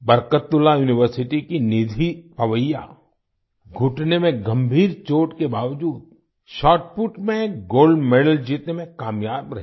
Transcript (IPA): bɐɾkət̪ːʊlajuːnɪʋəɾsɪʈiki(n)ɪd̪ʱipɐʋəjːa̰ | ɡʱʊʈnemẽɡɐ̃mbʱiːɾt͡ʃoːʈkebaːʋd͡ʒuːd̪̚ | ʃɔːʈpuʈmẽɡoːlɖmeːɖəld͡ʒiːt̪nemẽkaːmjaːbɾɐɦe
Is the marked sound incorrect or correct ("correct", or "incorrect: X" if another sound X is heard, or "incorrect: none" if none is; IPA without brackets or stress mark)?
correct